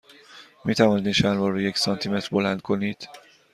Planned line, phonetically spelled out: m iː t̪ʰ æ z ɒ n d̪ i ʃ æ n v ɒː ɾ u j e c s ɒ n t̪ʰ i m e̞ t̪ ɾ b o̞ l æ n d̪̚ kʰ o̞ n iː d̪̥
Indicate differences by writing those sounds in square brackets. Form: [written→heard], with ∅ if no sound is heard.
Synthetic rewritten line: m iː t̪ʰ æ [z→v] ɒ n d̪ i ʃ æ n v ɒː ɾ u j e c s ɒ n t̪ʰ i m e̞ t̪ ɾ b o̞ l æ n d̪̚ kʰ o̞ n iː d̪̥